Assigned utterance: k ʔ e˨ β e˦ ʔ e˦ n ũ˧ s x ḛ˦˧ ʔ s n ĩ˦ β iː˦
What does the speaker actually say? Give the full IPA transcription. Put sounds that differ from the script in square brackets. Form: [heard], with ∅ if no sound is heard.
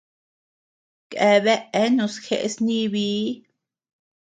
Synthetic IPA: k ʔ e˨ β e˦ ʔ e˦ n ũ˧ s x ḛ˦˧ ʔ s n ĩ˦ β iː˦